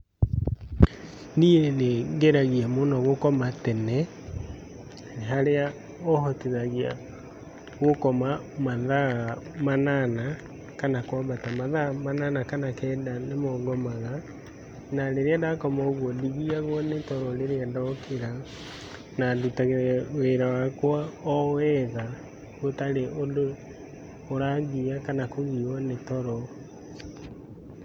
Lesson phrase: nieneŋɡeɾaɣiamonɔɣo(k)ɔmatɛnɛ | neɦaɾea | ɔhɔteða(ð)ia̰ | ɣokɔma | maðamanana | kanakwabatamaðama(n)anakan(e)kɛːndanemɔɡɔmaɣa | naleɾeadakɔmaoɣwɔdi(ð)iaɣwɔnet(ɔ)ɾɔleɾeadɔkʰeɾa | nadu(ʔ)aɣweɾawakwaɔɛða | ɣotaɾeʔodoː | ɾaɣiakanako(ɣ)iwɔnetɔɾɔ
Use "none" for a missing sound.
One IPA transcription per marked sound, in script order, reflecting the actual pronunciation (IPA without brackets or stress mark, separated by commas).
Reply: k, ɣ, n, a, ɣ, ɔ, t, ɣ